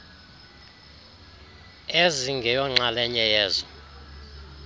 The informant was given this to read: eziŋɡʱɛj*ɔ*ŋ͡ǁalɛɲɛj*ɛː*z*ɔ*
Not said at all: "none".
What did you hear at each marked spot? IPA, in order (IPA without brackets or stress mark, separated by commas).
ɔ, ɛː, ɔ